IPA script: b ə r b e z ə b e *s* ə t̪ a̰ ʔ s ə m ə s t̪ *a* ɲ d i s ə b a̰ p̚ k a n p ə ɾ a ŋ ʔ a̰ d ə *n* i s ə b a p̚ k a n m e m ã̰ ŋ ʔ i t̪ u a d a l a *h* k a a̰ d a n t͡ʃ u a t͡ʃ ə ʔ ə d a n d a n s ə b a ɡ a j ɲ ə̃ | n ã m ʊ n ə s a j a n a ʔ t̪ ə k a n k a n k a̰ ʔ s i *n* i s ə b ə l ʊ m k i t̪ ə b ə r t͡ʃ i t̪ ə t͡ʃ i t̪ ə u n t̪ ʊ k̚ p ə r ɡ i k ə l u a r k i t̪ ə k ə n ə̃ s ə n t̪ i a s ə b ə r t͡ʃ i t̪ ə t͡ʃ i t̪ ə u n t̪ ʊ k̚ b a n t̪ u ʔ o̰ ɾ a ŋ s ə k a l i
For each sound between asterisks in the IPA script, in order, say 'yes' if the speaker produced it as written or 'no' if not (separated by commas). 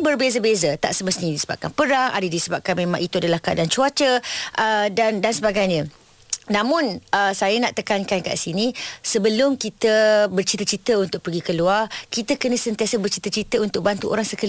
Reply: no, no, no, yes, yes